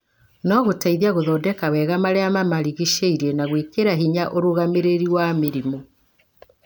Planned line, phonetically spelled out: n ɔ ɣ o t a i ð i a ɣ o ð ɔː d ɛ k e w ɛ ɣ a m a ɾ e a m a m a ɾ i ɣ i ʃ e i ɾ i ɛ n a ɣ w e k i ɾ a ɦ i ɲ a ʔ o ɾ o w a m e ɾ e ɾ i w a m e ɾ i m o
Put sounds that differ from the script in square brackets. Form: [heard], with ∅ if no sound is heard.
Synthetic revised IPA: n ɔ ɣ o t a i ð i a ɣ o ð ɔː d ɛ k [a] w ɛ ɣ a m a ɾ e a m a m a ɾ i ɣ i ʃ e i ɾ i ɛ n a ɣ w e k [e] ɾ a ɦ i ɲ a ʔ o ɾ o [ɣ] a m e ɾ e ɾ i w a m e ɾ i m o